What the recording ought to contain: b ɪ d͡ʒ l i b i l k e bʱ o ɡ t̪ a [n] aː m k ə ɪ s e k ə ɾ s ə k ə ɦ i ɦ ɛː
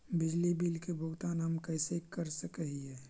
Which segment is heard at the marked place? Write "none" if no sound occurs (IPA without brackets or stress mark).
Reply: n